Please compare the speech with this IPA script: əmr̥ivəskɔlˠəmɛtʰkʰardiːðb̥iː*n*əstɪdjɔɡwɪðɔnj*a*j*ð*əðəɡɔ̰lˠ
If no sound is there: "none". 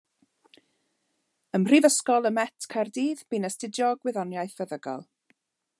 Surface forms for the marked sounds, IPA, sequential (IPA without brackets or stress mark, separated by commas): n, a, θ